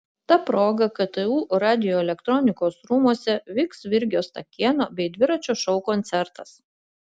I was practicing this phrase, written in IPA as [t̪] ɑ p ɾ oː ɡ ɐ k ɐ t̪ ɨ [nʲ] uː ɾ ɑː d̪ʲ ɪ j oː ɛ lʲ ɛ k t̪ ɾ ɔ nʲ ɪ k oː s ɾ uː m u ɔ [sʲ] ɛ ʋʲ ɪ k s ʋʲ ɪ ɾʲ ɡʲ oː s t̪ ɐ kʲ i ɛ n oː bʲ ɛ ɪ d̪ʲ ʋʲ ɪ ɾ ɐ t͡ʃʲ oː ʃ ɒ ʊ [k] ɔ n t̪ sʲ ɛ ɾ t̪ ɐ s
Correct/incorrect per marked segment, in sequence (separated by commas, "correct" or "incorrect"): correct, incorrect, correct, correct